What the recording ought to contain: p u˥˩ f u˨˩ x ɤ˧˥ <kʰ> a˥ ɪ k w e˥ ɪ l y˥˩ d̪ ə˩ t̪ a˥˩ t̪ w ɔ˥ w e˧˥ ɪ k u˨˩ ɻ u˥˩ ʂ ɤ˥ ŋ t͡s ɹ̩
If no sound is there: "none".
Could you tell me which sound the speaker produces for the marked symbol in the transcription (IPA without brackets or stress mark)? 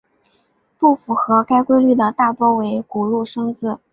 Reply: k